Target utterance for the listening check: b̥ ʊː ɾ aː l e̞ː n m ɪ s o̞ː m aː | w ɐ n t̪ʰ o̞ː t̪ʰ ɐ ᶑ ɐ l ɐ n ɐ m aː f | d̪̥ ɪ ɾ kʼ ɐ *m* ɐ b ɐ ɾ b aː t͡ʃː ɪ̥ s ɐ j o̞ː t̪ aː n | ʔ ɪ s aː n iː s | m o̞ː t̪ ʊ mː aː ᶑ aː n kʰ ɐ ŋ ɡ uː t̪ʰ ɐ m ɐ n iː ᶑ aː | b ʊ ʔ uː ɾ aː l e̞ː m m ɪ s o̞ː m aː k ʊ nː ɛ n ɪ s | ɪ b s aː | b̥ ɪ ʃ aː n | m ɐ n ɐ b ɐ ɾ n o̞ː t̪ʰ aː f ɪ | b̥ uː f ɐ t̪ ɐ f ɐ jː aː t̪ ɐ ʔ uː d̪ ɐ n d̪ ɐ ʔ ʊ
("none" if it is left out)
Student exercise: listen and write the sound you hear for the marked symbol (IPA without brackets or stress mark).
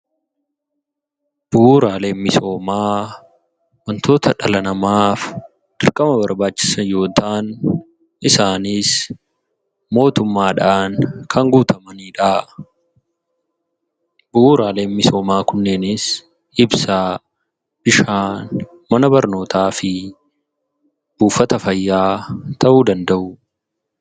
m